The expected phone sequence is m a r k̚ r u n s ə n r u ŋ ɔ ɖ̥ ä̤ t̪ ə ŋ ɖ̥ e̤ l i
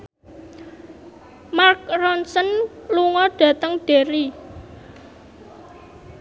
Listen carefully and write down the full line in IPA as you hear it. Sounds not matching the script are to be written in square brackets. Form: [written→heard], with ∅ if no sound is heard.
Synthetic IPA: m a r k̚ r [u→ɔ] n s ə n [r→l] u ŋ ɔ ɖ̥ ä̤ t̪ ə ŋ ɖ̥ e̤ [l→ɾ] i